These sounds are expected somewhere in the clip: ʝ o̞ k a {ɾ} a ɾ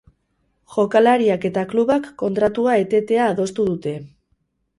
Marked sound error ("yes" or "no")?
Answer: yes